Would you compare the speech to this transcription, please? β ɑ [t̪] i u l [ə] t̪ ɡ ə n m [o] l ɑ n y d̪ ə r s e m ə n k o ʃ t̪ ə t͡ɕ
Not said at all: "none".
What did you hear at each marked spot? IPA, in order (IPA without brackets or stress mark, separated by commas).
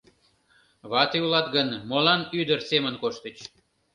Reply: t̪, ɑ, o